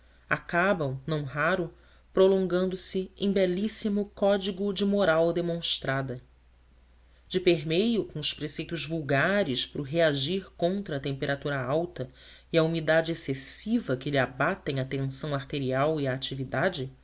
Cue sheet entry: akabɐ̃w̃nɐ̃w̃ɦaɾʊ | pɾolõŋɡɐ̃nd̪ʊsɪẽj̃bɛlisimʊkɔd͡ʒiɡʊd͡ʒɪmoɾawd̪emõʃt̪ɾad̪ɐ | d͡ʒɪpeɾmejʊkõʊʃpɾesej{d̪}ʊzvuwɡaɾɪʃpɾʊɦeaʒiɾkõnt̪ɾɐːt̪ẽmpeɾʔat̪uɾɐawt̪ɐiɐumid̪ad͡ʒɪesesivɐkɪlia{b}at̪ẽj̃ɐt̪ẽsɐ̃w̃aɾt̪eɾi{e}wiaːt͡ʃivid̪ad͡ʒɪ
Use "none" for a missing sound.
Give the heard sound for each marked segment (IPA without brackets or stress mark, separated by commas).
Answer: t̪, b, a